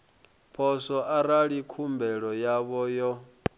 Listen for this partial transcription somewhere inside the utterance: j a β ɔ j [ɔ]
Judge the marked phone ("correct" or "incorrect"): correct